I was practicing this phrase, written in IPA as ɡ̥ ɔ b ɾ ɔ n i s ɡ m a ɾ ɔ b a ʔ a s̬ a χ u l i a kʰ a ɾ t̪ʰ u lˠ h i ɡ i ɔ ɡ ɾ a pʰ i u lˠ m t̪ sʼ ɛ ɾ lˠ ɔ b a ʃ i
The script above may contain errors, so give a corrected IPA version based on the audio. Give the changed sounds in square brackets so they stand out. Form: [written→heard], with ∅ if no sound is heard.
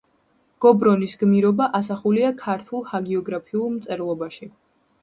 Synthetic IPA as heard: ɡ̥ ɔ b ɾ ɔ n i s ɡ m [a→i] ɾ ɔ b a ʔ a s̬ a χ u l i a kʰ a ɾ t̪ʰ u lˠ h [i→a] ɡ i ɔ ɡ ɾ a pʰ i u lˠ m t̪ sʼ ɛ ɾ lˠ ɔ b a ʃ i